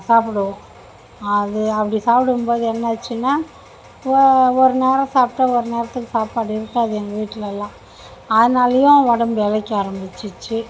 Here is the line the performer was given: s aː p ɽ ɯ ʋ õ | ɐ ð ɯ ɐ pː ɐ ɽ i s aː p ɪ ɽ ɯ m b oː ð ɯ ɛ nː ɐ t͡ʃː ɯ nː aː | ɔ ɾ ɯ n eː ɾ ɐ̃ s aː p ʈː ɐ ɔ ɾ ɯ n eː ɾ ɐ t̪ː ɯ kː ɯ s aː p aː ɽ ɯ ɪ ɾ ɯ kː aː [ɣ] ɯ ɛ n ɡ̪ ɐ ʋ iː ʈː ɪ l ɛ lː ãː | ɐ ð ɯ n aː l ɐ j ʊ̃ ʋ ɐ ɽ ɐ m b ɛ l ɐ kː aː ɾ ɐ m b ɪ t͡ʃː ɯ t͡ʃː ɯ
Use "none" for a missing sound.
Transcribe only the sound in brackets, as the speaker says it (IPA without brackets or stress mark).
ð